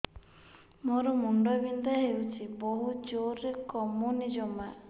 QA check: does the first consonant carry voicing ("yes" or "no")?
yes